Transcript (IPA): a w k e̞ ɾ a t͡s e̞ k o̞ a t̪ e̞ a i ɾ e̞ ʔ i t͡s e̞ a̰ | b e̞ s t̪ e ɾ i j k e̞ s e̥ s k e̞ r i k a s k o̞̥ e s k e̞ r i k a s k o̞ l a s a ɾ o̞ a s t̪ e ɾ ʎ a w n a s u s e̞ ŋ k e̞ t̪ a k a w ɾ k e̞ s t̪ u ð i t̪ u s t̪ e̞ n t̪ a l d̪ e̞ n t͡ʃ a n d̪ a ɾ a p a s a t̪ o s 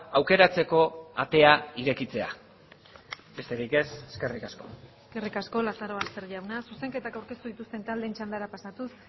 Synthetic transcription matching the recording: a w k e̞ ɾ a t͡s e̞ k o̞ a t̪ e̞ a i ɾ e̞ k i t͡s e̞ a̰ | b e̞ s t̪ e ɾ i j k e̞ s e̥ s k e̞ r i k a s k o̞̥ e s k e̞ r i k a s k o̞ l a s a ɾ o̞ a s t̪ e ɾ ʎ a w n a s u s e̞ ŋ k e̞ t̪ a k a w ɾ k e̞ s t̪ u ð i t̪ u s t̪ e̞ n t̪ a l d̪ e̞ n t͡ʃ a n d̪ a ɾ a p a s a t̪ u s

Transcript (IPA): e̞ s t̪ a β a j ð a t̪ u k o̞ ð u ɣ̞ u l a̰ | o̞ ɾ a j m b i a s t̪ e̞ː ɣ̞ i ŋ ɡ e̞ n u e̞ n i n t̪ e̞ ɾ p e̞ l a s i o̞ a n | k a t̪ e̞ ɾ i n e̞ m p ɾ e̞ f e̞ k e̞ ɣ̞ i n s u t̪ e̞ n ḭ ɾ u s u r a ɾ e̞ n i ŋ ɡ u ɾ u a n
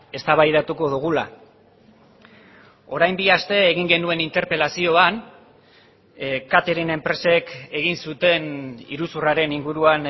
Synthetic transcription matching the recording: e̞ s t̪ a β a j ð a t̪ u k o̞ ð u ɣ̞ u l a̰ | o̞ ɾ a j m b i a s t̪ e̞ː ɣ̞ i ŋ ɡ e̞ n u e̞ n i n t̪ e̞ ɾ p e̞ l a s i o̞ a n | k a t̪ e̞ ɾ i n e̞ m p ɾ e̞ s e̞ k e̞ ɣ̞ i n s u t̪ e̞ n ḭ ɾ u s u r a ɾ e̞ n i ŋ ɡ u ɾ u a n

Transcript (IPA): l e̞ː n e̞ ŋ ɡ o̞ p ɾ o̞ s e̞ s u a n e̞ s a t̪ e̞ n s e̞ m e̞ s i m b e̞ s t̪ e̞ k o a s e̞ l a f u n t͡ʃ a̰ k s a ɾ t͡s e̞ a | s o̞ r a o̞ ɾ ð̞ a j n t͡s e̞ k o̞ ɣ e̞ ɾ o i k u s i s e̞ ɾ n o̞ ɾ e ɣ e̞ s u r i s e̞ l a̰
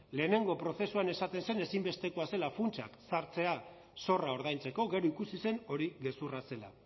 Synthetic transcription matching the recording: l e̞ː n e̞ ŋ ɡ o̞ p ɾ o̞ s e̞ s u a n e̞ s a t̪ e̞ n s e̞ n e̞ s i m b e̞ s t̪ e̞ k o a s e̞ l a f u n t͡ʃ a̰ k s a ɾ t͡s e̞ a | s o̞ r a o̞ ɾ ð̞ a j n t͡s e̞ k o̞ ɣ e̞ ɾ o i k u s i s e̞ n o̞ ɾ i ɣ e̞ s u r a s e̞ l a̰

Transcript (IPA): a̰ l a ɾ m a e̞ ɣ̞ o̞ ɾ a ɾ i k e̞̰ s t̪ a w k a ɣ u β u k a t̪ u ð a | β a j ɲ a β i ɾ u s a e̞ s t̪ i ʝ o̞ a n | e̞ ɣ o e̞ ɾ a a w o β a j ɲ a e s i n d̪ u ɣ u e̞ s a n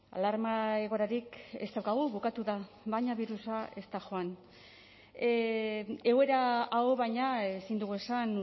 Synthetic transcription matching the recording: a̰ l a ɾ m a e̞ ɣ̞ o̞ ɾ a ɾ i k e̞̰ s t̪ a w k a ɣ u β u k a t̪ u ð a | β a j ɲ a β i ɾ u s a e̞ s t̪ a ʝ o̞ a n | e̞ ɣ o e̞ ɾ a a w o β a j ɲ a e s i n d̪ u ɣ u e̞ s a n

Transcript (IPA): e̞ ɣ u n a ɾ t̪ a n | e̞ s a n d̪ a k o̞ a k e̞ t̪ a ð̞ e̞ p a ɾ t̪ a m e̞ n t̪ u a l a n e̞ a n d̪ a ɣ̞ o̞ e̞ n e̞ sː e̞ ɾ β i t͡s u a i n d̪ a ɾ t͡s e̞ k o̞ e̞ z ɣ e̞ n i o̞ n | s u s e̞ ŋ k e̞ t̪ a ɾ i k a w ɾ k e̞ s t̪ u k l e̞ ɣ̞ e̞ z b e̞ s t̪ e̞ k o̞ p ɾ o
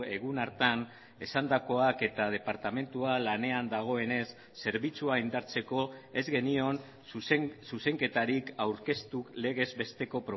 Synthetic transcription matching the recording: e̞ ɣ u n a ɾ t̪ a n | e̞ s a n d̪ a k o̞ a k e̞ t̪ a ð̞ e̞ p a ɾ t̪ a m e̞ n t̪ u a l a n e̞ a n d̪ a ɣ̞ o̞ e̞ n e̞ sː e̞ ɾ β i t͡s u a i n d̪ a ɾ t͡s e̞ k o̞ e̞ z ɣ e̞ n i o̞ n | s u s e̞ ŋ k e̞ t̪ a ɾ i k a w ɾ k e̞ s t̪ u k l e̞ ɣ̞ e̞ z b e̞ s t̪ e̞ k o̞ p ɾ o

